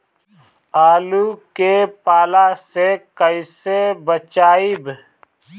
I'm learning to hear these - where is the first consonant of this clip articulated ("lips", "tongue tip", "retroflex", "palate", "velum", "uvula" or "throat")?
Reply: tongue tip